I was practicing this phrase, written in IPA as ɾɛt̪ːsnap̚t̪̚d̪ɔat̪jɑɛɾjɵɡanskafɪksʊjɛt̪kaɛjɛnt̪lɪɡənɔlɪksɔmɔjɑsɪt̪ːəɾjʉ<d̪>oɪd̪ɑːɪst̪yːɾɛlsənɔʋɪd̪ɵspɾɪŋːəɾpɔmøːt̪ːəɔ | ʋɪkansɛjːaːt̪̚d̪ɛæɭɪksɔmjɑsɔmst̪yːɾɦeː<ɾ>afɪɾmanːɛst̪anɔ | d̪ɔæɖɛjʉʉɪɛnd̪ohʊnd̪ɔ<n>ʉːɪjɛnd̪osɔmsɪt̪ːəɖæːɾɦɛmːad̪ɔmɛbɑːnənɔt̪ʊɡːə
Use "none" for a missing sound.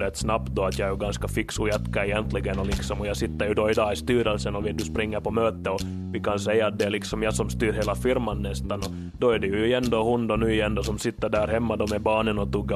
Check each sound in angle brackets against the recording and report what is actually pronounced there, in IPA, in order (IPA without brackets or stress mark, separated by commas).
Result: d̪, l, n